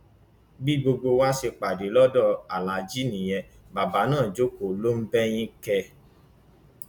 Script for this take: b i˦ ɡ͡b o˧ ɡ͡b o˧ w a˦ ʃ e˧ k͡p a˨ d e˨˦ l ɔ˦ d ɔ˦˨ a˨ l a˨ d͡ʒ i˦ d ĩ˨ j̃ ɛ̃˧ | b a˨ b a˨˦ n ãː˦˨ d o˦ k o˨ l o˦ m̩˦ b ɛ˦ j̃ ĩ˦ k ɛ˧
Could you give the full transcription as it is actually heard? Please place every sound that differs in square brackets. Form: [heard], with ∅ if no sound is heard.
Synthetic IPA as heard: b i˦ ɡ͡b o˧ ɡ͡b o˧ w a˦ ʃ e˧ k͡p a˨ d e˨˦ l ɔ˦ d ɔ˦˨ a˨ l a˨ d͡ʒ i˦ [n] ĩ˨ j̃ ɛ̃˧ | b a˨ b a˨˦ n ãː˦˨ [d͡ʒ] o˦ k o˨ l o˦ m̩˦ b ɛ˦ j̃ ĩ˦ k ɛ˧